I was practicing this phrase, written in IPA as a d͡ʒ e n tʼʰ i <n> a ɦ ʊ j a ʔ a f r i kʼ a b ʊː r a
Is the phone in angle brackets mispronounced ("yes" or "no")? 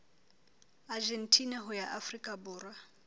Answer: no